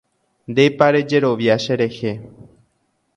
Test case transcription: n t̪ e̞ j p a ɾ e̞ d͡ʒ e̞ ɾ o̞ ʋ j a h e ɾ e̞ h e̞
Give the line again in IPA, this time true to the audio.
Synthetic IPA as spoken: n d̪ e̞ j p a ɾ e̞ d͡ʒ e̞ ɾ o̞ ʋ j a ʃ e ɾ e̞ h e̞